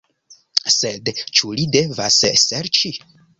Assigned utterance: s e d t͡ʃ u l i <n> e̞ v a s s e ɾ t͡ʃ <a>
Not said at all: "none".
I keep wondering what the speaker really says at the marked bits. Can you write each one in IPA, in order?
d, i

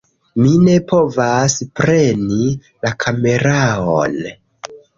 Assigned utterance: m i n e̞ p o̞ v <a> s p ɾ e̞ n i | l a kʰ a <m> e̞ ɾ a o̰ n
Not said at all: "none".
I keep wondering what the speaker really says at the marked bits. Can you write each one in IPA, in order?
a, m

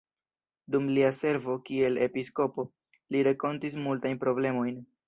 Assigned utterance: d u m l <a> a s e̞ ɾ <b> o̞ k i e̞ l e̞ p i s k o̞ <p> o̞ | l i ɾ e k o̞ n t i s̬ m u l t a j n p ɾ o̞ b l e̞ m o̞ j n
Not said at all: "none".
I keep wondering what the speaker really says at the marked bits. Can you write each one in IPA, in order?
i, v, p

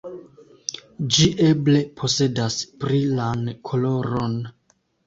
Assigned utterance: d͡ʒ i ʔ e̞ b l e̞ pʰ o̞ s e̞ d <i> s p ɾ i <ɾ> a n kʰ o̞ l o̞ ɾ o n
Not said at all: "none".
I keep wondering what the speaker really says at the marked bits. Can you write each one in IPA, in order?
a, l

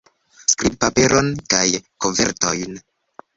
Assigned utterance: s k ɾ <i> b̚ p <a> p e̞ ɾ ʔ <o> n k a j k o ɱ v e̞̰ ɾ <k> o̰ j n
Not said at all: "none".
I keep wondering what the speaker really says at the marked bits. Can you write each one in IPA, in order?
i, a, o, t

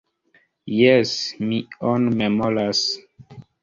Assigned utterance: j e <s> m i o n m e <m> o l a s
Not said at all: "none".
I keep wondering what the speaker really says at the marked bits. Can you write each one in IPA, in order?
s, m

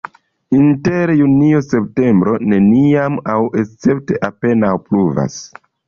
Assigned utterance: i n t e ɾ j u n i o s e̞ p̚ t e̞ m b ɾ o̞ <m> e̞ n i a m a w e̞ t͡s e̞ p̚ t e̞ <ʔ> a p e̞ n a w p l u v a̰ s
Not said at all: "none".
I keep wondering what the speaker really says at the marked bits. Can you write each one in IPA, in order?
n, ʔ

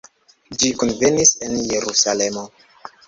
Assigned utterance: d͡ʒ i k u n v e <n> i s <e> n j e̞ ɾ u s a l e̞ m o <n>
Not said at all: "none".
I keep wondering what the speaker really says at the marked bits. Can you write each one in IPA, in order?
n, e, none

